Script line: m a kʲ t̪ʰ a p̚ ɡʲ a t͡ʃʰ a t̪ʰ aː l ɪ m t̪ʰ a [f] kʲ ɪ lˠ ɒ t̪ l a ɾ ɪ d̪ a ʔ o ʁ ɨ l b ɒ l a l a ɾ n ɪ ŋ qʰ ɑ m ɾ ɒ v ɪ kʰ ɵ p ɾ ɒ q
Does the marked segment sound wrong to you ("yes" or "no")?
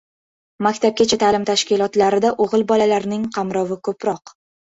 yes